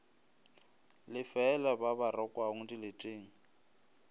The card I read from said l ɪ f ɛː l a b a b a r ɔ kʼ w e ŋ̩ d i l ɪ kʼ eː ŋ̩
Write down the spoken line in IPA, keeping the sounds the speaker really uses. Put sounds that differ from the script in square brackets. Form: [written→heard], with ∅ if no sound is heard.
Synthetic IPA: l ɪ f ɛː l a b a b a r ɔ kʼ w [e→a] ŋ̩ d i l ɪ [kʼ→tʼ] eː ŋ̩